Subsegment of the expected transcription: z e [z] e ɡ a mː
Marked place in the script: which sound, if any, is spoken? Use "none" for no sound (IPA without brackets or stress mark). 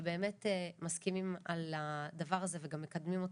v